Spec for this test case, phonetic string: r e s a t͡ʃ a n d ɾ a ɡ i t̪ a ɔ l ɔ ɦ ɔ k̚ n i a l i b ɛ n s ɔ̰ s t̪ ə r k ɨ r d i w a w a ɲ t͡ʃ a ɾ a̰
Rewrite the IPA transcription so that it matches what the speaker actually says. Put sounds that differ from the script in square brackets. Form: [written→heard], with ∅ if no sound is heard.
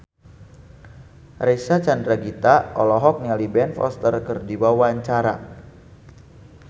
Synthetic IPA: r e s a t͡ʃ a n d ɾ a ɡ i t̪ a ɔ l ɔ ɦ ɔ k̚ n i a l i b ɛ n [s→f] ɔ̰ s t̪ ə r k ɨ r d i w a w a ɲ t͡ʃ a ɾ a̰